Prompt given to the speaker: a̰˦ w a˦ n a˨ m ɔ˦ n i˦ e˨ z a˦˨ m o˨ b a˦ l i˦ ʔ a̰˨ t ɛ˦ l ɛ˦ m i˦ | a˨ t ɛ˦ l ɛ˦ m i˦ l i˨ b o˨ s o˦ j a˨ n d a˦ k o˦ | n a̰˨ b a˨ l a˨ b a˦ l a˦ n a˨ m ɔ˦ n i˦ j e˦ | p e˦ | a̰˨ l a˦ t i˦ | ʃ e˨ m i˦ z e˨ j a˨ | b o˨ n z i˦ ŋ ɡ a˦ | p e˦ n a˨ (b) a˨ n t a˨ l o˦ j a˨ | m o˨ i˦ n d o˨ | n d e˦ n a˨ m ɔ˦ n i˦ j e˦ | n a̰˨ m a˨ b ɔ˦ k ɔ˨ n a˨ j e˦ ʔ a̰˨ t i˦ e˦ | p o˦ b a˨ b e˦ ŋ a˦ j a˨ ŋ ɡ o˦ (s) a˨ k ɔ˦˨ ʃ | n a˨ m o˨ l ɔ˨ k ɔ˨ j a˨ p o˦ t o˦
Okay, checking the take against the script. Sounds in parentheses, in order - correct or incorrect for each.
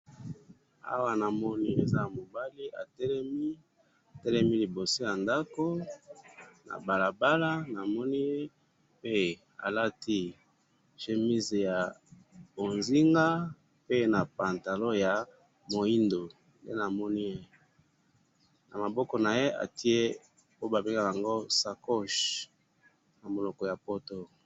incorrect: p, correct

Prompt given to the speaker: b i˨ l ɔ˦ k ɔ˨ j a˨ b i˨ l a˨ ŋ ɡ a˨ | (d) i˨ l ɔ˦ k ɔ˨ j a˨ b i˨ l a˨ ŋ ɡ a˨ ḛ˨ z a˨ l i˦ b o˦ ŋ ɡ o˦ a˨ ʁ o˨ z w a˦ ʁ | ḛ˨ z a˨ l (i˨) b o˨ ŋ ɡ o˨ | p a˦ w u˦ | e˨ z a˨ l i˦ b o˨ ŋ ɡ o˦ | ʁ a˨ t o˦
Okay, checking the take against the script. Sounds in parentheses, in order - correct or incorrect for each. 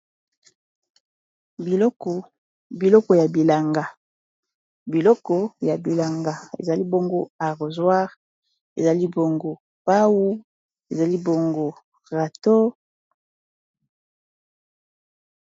incorrect: b, incorrect: i˦

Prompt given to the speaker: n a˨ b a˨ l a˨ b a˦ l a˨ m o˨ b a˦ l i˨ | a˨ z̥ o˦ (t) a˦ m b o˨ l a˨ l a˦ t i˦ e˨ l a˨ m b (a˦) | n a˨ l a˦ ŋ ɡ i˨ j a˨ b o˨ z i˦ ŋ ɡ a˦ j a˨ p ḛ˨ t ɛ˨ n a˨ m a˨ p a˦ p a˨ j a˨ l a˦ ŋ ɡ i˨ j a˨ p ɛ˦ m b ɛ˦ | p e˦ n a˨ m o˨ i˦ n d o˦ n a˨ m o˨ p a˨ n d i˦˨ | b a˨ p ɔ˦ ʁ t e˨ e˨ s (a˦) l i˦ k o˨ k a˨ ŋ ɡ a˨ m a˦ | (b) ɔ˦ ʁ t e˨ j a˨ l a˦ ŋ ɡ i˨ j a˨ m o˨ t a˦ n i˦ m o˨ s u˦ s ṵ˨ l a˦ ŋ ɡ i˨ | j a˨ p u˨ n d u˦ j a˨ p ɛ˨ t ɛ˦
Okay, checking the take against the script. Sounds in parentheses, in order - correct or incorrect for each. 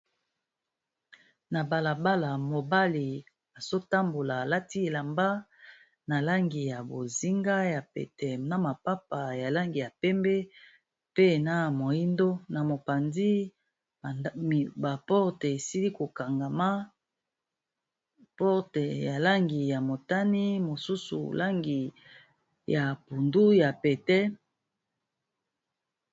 correct, correct, incorrect: i˦, incorrect: p

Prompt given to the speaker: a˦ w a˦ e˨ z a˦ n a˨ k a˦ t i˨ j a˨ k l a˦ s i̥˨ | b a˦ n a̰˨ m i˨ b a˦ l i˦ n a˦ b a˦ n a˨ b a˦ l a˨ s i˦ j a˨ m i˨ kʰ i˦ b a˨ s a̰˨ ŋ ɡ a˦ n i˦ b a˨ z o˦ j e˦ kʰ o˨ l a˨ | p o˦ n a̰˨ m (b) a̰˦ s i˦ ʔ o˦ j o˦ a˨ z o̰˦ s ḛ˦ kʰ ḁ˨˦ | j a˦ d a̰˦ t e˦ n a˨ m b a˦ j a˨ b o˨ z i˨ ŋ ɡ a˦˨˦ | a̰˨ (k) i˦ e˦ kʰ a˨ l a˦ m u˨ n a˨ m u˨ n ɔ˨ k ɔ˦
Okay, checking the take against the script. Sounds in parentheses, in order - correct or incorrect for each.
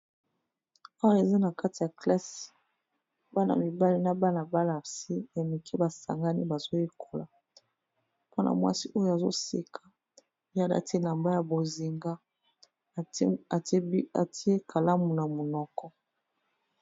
incorrect: w, incorrect: t

